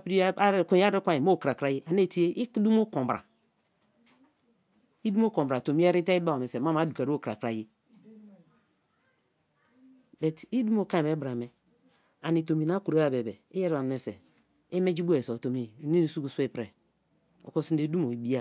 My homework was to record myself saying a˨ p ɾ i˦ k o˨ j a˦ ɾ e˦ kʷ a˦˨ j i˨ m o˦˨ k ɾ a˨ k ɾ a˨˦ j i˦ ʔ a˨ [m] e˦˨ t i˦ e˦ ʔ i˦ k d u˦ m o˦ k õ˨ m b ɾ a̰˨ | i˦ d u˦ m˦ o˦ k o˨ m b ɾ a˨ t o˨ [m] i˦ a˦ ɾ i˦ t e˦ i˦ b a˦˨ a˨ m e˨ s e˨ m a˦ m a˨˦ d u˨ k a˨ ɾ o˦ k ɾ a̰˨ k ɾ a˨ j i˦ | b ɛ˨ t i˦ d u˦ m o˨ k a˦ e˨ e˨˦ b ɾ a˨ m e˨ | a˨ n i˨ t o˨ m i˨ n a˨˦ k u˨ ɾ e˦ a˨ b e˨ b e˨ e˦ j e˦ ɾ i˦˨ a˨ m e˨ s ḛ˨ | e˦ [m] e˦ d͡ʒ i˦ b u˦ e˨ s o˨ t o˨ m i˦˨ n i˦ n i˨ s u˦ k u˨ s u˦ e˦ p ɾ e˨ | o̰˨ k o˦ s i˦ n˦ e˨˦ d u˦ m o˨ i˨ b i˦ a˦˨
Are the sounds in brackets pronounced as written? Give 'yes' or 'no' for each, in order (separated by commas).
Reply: no, yes, yes